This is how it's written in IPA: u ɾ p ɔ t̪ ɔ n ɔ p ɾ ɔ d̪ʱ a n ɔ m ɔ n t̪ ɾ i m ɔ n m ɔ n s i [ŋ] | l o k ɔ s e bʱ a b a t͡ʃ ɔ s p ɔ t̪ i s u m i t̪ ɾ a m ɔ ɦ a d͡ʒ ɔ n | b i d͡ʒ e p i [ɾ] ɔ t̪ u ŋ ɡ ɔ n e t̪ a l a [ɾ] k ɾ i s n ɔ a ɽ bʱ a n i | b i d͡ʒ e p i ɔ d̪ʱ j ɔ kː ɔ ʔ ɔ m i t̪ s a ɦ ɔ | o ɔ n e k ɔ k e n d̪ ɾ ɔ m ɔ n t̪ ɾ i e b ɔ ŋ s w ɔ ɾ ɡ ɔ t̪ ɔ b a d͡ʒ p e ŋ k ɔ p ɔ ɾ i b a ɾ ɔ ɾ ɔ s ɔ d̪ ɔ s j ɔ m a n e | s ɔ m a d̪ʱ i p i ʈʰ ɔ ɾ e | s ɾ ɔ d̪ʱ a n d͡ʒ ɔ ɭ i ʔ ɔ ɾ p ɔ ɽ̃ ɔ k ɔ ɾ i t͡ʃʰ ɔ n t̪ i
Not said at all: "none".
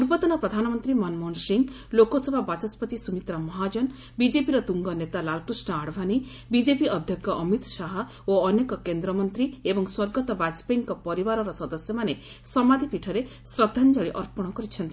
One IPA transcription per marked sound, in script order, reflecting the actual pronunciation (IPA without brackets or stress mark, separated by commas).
ŋ, ɾ, l